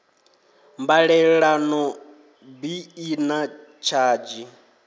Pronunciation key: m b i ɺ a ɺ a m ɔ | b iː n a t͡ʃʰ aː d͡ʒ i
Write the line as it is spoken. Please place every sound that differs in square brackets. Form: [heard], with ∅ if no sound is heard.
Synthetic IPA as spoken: m b [a] ɺ [ɛ] ɺ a [n] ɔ | b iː n a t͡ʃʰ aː d͡ʒ i